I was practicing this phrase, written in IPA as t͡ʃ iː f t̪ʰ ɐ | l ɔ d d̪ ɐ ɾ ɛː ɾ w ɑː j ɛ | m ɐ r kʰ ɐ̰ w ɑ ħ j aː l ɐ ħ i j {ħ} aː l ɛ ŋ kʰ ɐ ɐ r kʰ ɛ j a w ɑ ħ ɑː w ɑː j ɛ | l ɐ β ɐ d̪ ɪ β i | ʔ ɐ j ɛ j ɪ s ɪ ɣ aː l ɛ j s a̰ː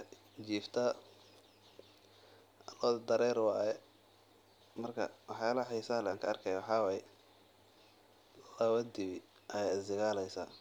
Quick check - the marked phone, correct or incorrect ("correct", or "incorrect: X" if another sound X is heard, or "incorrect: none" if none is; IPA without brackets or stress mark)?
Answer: incorrect: s